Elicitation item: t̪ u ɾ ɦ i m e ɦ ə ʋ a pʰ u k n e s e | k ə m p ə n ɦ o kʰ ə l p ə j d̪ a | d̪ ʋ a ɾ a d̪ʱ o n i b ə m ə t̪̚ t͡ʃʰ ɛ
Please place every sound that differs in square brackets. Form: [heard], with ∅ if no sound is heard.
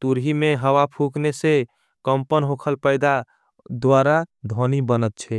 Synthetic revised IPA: t̪ u ɾ ɦ i m e ɦ ə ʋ a pʰ u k n e s e | k ə m p ə n ɦ o kʰ ə l p ə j d̪ a | d̪ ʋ a ɾ a d̪ʱ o n i b ə [n] ə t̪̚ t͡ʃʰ ɛ